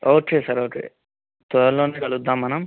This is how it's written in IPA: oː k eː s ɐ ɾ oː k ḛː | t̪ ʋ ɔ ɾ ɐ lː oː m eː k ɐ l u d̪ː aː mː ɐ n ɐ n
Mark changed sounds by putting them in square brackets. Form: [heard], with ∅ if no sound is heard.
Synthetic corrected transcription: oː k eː s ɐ ɾ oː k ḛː | t̪ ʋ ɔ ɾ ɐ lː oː [n] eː k ɐ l u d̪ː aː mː ɐ n ɐ [m]